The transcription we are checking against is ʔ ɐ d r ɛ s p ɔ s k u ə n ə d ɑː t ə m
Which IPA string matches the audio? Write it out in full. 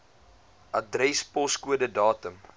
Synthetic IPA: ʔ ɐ d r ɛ s p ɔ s k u ə d ə d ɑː t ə m

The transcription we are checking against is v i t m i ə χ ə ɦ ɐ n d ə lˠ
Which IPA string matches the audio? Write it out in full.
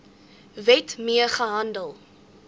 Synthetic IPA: v ɛ t m i ə χ ə ɦ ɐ n d ə lˠ

